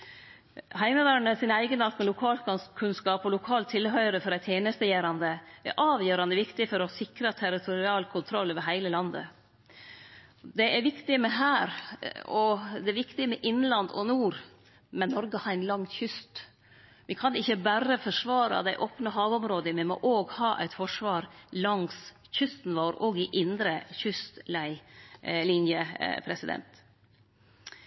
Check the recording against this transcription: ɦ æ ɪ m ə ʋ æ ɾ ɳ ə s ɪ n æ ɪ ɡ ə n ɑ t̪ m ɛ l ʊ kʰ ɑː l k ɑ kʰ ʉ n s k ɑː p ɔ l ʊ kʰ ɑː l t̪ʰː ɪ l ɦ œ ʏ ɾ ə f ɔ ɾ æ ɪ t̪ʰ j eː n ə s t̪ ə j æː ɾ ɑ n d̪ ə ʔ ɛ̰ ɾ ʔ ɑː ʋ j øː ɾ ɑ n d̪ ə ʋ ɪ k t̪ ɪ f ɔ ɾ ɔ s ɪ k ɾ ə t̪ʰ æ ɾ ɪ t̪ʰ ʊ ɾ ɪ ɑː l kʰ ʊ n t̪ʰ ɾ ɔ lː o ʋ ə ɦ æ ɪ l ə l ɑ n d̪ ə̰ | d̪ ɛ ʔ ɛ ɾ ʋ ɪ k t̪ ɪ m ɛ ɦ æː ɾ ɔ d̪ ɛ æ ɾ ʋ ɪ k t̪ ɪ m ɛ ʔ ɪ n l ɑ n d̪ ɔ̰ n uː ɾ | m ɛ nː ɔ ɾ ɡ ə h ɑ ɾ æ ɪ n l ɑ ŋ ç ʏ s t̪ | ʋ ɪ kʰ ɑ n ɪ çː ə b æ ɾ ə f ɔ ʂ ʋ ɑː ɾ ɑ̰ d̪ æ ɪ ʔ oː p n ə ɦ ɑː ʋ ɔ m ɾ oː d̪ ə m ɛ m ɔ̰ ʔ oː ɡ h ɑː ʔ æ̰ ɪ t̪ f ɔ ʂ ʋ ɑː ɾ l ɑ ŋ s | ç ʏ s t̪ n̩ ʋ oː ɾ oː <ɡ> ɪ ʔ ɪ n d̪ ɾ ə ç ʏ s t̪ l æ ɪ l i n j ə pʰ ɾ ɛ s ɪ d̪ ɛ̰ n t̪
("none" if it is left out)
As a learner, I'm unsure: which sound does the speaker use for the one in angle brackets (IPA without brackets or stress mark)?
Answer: ɡ